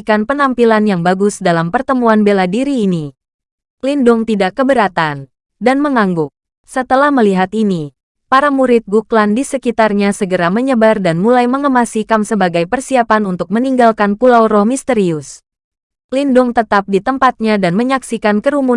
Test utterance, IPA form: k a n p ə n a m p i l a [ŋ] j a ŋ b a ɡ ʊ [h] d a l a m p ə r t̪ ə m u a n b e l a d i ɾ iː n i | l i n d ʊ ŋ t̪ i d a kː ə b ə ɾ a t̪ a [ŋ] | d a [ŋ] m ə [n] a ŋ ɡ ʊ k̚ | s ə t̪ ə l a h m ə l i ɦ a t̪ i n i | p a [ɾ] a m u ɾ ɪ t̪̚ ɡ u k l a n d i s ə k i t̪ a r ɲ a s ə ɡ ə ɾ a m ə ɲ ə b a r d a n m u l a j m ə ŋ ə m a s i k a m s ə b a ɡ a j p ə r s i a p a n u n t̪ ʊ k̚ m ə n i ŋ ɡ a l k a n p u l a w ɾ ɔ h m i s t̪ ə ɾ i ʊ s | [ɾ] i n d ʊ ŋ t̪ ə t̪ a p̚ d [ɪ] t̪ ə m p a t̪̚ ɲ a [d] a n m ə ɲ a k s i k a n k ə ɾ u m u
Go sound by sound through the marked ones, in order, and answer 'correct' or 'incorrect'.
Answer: incorrect: n, incorrect: s, incorrect: n, incorrect: n, incorrect: ŋ, correct, incorrect: l, incorrect: i, correct

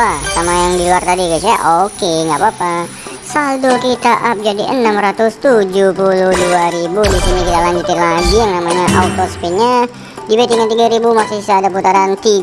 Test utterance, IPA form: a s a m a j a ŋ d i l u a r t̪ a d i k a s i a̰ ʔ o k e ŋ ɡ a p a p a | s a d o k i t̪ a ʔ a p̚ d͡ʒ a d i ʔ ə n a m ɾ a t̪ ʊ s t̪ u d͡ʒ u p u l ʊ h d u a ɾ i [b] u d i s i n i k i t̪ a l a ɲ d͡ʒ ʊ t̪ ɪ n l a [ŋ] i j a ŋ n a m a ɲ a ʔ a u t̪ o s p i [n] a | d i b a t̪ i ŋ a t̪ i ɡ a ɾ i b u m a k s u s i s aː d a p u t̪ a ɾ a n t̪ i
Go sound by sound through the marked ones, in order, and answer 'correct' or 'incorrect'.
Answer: correct, incorrect: ɡ, incorrect: ɲ

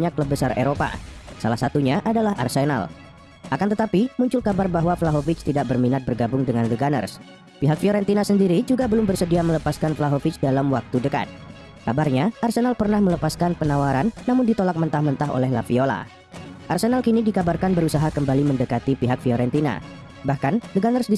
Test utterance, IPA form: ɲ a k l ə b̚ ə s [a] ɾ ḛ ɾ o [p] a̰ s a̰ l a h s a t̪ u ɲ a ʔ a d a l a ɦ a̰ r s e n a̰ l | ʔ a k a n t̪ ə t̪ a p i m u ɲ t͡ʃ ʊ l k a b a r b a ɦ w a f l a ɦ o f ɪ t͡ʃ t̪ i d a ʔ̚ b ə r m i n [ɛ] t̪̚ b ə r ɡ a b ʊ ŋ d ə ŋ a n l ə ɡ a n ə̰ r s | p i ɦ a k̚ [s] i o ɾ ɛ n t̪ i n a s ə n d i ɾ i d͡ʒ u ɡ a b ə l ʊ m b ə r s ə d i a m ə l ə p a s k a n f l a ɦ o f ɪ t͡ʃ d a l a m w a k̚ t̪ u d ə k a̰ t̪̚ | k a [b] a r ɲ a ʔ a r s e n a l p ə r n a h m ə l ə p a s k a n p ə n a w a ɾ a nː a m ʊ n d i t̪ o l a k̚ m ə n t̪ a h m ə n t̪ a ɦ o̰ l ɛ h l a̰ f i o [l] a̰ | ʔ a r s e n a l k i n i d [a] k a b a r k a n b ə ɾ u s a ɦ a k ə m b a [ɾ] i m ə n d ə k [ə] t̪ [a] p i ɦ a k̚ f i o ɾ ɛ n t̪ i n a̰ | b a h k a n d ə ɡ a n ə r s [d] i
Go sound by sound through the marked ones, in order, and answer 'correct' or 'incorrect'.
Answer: correct, correct, incorrect: a, incorrect: f, correct, correct, incorrect: i, incorrect: l, incorrect: a, incorrect: i, correct

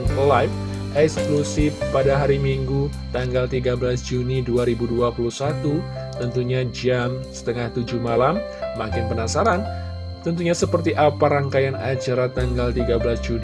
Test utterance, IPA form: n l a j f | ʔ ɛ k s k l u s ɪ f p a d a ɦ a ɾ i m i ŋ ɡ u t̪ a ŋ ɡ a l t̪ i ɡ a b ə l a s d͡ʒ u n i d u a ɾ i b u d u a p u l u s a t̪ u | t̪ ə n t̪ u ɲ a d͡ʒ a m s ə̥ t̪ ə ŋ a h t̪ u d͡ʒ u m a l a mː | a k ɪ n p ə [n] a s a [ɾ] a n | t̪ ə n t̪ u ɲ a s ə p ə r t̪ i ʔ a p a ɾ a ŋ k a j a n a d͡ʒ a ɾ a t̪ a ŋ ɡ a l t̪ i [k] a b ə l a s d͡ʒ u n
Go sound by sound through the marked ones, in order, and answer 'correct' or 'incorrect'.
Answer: correct, correct, incorrect: ɡ

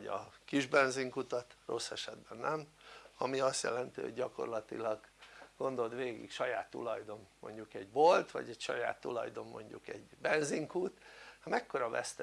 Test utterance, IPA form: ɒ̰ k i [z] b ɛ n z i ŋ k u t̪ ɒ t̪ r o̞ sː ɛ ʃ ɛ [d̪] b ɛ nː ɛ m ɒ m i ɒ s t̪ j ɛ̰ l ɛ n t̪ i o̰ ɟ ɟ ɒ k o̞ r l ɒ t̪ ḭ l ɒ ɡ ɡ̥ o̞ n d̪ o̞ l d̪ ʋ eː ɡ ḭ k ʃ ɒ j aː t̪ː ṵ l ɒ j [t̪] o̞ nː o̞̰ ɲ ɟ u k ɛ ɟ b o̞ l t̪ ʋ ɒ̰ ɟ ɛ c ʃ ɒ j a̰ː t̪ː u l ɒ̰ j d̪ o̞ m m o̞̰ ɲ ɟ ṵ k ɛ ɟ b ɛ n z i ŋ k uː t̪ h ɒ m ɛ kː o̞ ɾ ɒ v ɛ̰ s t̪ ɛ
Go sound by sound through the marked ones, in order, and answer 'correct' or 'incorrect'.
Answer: incorrect: ʒ, correct, incorrect: d̪

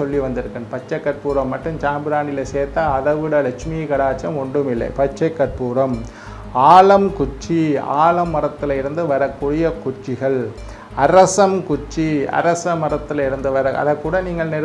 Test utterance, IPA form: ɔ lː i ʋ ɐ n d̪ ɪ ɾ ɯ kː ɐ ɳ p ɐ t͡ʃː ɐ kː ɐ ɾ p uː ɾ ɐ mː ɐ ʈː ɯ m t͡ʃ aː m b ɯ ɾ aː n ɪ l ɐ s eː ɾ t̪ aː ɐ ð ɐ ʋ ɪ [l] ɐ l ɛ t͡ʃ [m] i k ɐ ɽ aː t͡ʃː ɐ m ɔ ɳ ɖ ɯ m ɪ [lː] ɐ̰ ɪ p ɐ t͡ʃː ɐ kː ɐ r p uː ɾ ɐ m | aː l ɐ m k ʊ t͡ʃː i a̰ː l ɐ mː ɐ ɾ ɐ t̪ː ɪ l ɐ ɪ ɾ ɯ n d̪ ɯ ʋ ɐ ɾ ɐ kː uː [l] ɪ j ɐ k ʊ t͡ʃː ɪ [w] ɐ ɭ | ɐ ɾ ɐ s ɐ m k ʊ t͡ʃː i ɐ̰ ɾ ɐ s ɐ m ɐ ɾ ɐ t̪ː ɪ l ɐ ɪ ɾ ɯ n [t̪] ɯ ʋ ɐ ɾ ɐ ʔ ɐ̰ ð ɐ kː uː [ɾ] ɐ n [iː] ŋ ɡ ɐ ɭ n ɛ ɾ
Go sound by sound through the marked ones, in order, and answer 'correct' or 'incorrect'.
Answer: incorrect: ɽ, correct, correct, incorrect: ɽ, incorrect: ɣ, incorrect: d̪, incorrect: ɽ, correct

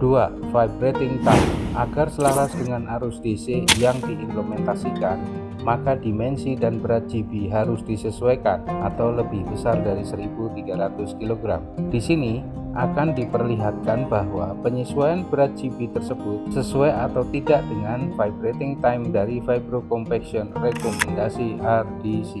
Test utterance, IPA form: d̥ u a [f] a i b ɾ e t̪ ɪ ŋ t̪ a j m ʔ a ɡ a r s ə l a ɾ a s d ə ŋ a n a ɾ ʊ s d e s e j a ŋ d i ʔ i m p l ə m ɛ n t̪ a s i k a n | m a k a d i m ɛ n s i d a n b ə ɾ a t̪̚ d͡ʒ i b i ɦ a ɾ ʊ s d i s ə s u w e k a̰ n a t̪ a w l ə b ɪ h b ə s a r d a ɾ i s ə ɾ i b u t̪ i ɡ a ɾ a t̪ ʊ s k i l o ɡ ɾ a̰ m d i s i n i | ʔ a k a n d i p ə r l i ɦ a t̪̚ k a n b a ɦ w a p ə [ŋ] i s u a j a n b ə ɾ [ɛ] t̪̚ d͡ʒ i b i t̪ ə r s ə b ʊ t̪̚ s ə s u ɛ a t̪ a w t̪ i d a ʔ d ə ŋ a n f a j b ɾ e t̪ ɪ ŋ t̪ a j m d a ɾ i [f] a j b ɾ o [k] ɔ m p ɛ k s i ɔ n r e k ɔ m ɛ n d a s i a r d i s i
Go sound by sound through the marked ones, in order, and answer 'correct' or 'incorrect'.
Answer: correct, incorrect: ɲ, incorrect: a, correct, correct

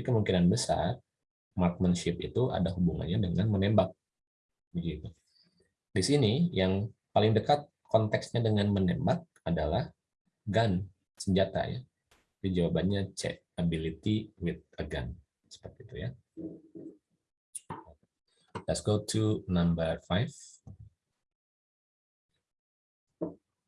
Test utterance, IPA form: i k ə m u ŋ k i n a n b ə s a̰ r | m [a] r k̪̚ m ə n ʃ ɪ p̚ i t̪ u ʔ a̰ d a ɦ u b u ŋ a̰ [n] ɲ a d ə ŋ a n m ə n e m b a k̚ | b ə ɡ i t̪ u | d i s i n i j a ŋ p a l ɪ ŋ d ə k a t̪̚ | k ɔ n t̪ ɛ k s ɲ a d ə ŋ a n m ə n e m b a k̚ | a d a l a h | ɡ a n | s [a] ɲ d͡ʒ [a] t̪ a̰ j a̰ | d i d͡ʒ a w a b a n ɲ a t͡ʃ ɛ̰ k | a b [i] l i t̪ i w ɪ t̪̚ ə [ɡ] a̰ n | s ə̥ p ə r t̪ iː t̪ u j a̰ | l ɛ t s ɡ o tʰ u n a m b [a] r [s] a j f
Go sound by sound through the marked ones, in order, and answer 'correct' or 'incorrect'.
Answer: correct, correct, incorrect: ə, correct, correct, correct, incorrect: ə, incorrect: f

